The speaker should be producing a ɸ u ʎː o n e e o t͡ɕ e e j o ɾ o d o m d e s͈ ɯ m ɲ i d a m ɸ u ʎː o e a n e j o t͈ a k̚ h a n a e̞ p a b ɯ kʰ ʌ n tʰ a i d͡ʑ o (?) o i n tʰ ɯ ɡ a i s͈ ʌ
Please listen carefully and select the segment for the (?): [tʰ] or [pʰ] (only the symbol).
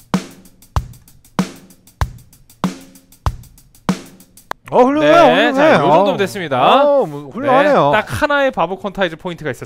pʰ